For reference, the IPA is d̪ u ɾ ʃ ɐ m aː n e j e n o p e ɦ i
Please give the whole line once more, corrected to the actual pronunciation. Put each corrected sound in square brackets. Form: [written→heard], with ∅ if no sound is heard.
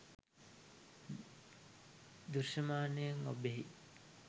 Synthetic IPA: d̪ u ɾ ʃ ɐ m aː n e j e [n→ŋ] o [p→b] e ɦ i